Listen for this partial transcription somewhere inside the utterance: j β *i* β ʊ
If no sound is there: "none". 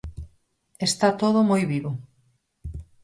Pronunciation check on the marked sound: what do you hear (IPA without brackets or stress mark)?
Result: i